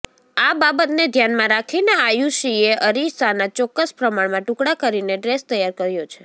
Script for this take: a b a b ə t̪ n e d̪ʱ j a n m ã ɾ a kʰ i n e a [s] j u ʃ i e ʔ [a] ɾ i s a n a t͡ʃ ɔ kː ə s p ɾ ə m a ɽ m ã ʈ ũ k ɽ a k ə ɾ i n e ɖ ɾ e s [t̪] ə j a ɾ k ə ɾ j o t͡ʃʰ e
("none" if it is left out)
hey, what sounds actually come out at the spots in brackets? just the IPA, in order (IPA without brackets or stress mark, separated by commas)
none, ə, t̪